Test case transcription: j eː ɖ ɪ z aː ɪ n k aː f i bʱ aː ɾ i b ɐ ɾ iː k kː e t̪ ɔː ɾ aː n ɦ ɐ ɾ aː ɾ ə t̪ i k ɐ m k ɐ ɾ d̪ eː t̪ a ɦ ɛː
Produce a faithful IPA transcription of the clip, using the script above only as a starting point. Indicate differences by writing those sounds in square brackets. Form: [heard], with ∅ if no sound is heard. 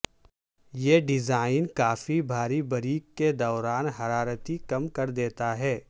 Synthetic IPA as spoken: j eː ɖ ɪ z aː ɪ n k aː f i bʱ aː ɾ i b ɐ ɾ iː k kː e [d̪] ɔː ɾ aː n ɦ ɐ ɾ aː ɾ ə t̪ i k ɐ m k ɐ ɾ d̪ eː t̪ a ɦ ɛː